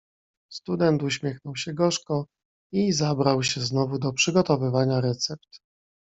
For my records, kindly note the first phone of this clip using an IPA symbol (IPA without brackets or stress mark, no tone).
s